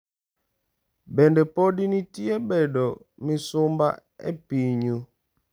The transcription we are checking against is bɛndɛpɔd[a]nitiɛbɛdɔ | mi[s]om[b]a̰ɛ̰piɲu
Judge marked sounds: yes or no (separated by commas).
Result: no, yes, yes